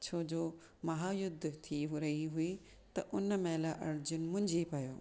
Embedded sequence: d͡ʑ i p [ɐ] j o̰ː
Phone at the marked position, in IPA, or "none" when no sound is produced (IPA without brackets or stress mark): ɐ